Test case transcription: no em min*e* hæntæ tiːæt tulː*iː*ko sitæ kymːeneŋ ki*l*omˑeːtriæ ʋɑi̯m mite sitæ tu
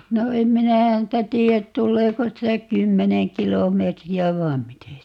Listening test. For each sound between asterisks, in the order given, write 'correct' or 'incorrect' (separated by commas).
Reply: incorrect, incorrect, correct